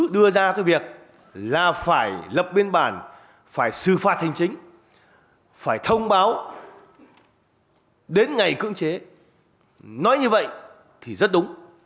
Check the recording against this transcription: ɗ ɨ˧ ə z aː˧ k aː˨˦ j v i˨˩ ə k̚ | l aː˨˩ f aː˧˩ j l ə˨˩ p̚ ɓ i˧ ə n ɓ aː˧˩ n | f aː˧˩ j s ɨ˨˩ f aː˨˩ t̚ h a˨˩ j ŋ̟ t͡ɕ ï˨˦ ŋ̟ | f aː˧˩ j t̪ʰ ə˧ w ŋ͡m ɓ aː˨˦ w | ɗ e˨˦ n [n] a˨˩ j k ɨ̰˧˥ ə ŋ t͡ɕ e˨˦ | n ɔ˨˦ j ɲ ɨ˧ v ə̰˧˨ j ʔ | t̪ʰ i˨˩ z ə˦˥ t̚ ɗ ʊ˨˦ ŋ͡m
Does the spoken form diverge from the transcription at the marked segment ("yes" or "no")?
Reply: yes